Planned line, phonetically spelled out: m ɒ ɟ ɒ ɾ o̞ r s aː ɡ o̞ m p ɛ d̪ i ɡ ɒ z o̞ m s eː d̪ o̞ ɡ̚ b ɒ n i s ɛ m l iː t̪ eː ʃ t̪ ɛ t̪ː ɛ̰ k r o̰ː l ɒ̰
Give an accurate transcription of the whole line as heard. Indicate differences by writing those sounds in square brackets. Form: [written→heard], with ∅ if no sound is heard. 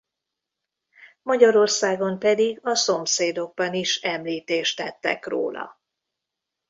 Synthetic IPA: m ɒ ɟ ɒ ɾ o̞ r s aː ɡ o̞ m p ɛ d̪ i ɡ ɒ [z→s] o̞ m s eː d̪ o̞ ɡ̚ b ɒ n i [s→ʃ] ɛ m l iː t̪ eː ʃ t̪ ɛ t̪ː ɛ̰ k r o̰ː l ɒ̰